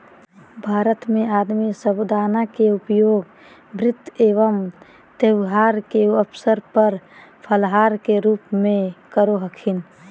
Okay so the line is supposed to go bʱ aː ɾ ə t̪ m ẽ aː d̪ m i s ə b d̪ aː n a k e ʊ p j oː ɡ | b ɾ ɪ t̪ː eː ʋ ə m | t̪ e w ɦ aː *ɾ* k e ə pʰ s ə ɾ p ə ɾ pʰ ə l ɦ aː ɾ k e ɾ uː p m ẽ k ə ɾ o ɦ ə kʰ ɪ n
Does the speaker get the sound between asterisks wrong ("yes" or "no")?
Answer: no